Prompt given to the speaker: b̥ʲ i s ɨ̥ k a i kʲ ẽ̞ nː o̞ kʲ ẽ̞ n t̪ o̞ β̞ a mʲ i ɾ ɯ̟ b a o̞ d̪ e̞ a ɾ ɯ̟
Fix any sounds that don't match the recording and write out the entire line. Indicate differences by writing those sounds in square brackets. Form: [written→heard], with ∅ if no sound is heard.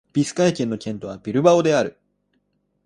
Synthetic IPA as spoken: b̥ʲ i s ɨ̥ k a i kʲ ẽ̞ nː o̞ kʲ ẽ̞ n t̪ o̞ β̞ a [mʲ→bʲ] i ɾ ɯ̟ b a o̞ d̪ e̞ a ɾ ɯ̟